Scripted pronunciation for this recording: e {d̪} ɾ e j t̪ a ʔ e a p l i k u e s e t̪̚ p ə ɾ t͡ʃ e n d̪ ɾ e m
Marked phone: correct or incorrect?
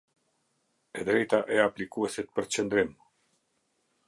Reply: correct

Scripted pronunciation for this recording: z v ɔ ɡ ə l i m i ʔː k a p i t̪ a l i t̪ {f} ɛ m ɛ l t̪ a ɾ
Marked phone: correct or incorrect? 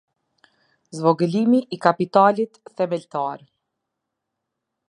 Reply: incorrect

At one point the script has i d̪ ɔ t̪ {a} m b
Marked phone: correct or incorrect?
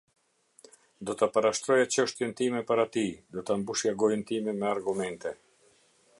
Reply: correct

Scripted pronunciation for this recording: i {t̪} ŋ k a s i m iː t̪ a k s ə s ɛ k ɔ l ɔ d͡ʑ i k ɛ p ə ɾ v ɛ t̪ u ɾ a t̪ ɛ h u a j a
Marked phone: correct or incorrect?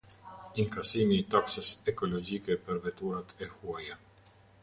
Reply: incorrect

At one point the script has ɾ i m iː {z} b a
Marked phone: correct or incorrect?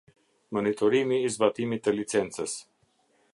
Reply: correct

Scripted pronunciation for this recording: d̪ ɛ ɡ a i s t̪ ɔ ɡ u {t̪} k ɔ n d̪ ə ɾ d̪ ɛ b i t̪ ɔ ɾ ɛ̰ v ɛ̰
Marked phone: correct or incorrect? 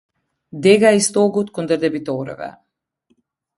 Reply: correct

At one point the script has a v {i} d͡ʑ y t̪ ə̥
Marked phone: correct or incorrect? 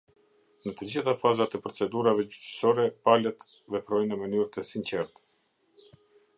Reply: incorrect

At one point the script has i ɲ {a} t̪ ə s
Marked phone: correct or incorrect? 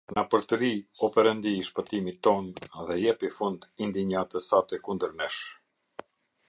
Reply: correct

